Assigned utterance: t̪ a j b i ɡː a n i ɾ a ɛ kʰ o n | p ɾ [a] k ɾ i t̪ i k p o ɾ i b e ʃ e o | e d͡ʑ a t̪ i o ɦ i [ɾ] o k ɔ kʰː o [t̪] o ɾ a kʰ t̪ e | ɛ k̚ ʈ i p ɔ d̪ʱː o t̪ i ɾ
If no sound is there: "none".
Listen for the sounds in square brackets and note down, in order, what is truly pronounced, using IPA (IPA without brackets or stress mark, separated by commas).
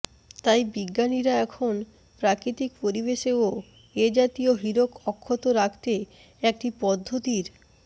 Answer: a, ɾ, t̪